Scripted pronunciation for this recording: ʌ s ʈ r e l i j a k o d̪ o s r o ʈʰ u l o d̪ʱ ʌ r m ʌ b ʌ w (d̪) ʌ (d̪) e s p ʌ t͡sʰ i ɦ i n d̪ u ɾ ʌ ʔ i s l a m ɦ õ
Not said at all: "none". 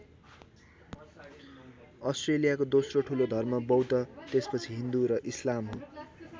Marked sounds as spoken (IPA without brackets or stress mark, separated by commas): t̪, t̪